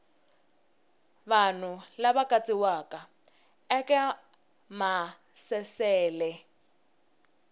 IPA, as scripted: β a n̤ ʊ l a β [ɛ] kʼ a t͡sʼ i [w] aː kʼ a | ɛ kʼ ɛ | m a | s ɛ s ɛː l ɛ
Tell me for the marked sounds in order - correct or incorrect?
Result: incorrect: a, correct

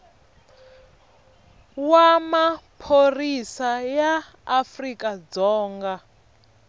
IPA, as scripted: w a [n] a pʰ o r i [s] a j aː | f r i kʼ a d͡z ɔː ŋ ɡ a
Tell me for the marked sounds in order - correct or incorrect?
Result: incorrect: m, correct

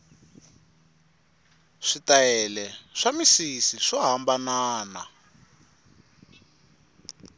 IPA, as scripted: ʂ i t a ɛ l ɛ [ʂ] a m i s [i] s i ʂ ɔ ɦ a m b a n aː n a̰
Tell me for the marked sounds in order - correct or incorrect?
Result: correct, correct

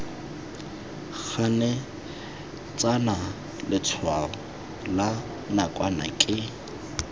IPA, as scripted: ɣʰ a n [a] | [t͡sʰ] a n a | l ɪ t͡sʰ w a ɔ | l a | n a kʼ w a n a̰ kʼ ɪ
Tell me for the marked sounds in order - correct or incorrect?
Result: incorrect: ɛ, incorrect: t͡s

